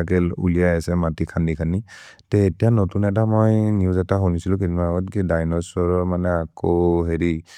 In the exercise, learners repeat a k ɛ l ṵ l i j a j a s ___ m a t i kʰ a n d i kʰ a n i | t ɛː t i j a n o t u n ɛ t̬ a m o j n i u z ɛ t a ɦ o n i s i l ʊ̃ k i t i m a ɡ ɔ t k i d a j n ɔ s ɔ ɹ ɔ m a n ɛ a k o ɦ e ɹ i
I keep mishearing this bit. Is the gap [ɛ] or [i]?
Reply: ɛ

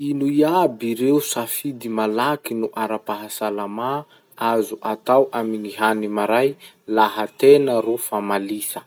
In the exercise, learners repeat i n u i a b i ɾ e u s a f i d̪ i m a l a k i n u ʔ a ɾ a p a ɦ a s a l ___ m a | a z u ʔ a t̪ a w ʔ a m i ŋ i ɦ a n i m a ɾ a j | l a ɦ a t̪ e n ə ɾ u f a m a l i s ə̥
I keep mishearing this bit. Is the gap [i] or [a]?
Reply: a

